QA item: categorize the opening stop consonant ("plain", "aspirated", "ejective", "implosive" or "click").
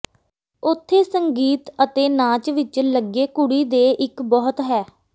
aspirated